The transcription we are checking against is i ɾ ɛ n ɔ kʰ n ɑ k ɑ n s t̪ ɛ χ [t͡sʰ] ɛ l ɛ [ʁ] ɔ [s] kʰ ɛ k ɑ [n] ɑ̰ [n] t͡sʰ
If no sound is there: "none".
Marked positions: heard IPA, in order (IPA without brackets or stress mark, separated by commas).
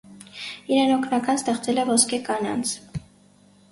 t͡s, v, s, n, n